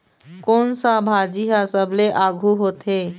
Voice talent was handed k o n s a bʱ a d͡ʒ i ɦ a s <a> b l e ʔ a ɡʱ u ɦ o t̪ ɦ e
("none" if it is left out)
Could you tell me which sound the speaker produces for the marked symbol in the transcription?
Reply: ə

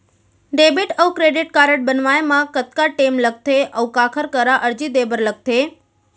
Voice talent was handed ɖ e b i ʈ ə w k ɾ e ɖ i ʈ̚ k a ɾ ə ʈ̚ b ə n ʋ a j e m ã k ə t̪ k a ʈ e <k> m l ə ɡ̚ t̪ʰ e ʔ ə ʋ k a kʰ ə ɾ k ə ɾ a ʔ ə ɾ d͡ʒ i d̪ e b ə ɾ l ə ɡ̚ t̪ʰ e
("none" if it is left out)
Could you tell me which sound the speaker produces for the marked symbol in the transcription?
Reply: none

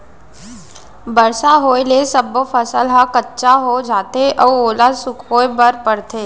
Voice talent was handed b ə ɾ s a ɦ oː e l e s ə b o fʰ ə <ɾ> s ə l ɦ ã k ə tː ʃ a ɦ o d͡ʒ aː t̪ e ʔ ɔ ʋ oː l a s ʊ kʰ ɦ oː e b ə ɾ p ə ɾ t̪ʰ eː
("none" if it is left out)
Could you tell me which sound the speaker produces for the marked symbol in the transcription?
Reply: none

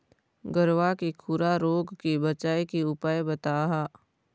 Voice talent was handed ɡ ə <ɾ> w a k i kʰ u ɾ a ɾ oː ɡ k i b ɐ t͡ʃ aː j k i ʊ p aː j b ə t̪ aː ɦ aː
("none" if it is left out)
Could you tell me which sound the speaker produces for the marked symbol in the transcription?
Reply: ɾ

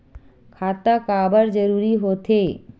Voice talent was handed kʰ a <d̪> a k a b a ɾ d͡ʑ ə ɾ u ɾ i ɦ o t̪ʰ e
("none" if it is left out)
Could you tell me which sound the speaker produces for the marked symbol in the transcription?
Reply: t̪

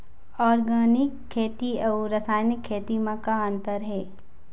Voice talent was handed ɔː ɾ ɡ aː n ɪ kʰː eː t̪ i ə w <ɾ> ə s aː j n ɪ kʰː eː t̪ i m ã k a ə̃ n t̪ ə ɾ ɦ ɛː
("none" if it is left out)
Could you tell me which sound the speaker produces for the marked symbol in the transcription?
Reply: ɾ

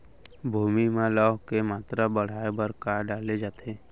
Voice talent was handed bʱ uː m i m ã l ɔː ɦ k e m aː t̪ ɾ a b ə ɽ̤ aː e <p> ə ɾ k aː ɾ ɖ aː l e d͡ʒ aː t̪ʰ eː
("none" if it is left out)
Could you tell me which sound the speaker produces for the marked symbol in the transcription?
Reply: b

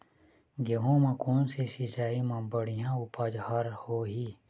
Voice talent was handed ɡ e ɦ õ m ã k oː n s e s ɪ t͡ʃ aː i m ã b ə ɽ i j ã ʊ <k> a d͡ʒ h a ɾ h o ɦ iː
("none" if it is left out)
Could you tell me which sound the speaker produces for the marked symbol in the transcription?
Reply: p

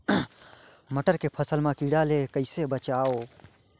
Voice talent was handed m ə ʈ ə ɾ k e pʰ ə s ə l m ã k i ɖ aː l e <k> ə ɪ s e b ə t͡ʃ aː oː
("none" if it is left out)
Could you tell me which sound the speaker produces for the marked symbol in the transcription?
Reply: k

